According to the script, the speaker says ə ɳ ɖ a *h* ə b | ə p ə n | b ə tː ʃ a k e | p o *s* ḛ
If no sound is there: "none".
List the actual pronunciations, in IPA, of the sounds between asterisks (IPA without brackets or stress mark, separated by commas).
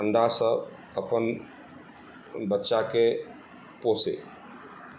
s, s